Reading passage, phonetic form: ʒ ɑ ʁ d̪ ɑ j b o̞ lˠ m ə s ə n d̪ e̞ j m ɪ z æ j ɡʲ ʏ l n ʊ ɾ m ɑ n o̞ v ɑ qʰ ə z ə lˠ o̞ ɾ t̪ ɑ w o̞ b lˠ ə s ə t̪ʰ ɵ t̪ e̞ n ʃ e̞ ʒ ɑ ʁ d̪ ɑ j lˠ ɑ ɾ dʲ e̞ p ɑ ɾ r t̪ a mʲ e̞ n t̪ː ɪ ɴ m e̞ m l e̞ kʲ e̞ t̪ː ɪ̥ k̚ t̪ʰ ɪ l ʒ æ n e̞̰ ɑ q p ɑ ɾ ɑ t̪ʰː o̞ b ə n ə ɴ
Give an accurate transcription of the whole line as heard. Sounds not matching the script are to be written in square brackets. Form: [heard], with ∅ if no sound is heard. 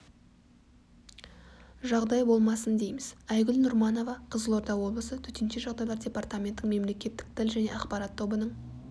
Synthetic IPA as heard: ʒ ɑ ʁ d̪ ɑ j b o̞ lˠ m [ɑ] s ə n d̪ e̞ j m ɪ z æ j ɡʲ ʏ l n ʊ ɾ m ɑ n o̞ v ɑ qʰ ə z ə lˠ o̞ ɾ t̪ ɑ w o̞ b lˠ ə s ə t̪ʰ ɵ t̪ e̞ n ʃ e̞ ʒ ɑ ʁ d̪ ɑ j lˠ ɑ ɾ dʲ e̞ p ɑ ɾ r t̪ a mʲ e̞ n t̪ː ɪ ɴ m e̞ m l e̞ kʲ e̞ t̪ː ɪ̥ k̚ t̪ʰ ɪ l ʒ æ n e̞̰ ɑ q p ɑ ɾ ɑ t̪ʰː o̞ b ə n ə ɴ

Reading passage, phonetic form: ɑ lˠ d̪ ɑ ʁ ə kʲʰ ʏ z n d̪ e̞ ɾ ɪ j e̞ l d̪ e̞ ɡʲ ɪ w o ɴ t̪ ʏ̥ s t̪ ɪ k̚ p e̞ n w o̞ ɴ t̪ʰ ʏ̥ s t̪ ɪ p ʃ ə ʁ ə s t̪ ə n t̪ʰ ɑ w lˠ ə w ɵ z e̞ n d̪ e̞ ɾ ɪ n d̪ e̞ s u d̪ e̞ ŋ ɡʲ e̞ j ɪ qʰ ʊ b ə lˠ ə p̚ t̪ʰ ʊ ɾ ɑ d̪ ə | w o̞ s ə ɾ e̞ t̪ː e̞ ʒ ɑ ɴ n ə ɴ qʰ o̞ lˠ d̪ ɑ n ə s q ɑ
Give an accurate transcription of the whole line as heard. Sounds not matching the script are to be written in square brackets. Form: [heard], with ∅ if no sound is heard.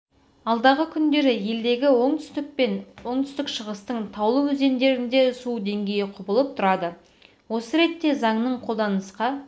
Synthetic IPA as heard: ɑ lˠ d̪ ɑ ʁ ə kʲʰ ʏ [∅] n d̪ e̞ ɾ ɪ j e̞ l d̪ e̞ ɡʲ ɪ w o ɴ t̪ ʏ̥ s t̪ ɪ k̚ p e̞ n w o̞ ɴ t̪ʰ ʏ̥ s t̪ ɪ [k] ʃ ə ʁ ə s t̪ ə [ɴ] t̪ʰ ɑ w lˠ ə w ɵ z e̞ n d̪ e̞ ɾ ɪ n d̪ e̞ s u d̪ e̞ ŋ ɡʲ e̞ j ɪ qʰ ʊ b ə lˠ ə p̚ t̪ʰ ʊ ɾ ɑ d̪ ə | w o̞ s ə ɾ e̞ t̪ː e̞ [z] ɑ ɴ n ə ɴ qʰ o̞ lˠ d̪ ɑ n ə s q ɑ

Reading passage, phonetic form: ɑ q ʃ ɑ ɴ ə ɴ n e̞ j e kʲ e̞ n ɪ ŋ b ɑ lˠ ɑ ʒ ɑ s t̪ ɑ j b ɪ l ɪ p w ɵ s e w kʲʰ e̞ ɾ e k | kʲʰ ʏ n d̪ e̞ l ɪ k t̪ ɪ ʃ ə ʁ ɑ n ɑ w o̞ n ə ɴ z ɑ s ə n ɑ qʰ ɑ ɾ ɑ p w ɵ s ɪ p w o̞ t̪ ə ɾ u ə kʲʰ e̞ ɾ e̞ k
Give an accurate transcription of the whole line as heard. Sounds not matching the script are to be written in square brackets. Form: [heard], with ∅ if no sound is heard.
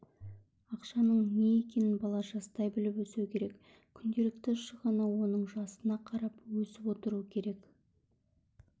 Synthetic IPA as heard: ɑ q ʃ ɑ [n] ə ɴ n e̞ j e kʲ e̞ n ɪ [n] b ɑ lˠ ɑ ʒ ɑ s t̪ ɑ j b ɪ l ɪ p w ɵ s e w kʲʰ e̞ ɾ e k | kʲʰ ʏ n d̪ e̞ l ɪ k t̪ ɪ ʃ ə ʁ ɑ n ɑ w o̞ n ə ɴ [ʒ] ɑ s ə n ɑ qʰ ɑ ɾ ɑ p w ɵ s ɪ p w o̞ t̪ ə ɾ u ə kʲʰ e̞ ɾ e̞ k

